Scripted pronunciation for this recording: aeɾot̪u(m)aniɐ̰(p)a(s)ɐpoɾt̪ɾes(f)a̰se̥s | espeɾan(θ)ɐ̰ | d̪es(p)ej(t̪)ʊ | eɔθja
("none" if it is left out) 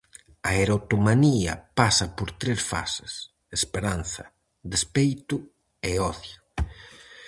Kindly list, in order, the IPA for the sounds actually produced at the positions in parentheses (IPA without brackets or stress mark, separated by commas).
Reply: m, p, s, f, θ, p, t̪